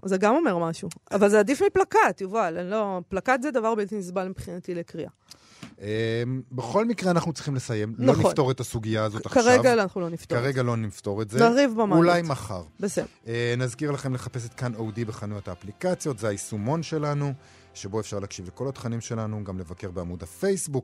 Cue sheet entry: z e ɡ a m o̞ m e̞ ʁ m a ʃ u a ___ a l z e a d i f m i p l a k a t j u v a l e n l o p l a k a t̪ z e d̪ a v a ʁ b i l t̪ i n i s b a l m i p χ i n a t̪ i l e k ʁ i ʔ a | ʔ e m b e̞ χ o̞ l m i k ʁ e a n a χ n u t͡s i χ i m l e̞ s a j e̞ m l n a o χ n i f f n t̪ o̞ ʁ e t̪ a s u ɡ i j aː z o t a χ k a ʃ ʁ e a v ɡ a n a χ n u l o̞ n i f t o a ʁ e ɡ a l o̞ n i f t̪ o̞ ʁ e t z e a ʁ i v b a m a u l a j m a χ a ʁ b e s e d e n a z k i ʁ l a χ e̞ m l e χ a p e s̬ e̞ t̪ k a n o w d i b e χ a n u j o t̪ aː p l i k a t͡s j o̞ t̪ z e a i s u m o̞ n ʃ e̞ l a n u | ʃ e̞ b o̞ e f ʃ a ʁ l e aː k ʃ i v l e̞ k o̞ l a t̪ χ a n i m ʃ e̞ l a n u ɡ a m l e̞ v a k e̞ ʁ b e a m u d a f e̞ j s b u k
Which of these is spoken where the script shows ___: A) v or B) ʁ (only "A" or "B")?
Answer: A